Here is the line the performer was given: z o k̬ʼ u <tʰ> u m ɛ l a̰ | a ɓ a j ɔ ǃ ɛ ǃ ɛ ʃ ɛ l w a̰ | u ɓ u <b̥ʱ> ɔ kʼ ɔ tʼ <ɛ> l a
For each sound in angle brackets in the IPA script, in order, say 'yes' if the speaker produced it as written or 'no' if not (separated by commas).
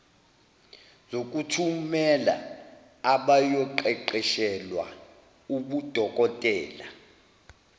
yes, no, no